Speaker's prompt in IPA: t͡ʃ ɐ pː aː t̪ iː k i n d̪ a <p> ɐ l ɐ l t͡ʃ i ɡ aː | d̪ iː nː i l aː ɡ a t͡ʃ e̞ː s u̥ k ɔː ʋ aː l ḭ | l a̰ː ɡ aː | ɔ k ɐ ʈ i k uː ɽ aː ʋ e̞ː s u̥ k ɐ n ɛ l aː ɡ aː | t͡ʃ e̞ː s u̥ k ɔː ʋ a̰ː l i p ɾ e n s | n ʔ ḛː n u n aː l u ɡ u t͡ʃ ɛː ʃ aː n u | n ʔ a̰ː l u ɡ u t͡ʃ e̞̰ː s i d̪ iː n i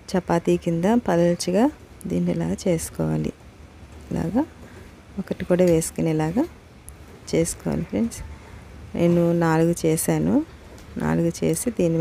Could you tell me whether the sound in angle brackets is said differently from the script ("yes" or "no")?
no